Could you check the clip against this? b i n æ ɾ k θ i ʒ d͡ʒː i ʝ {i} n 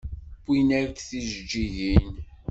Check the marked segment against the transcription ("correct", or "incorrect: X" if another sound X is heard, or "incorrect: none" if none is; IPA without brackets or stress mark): correct